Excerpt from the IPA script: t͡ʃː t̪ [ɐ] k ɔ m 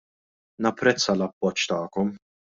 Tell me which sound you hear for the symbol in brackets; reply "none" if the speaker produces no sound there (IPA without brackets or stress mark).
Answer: ɐː